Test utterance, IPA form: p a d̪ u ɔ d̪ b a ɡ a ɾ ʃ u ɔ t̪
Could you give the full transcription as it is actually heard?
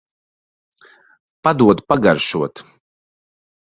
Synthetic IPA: p a d̪ u ɔ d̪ p a ɡ a ɾ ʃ u ɔ t̪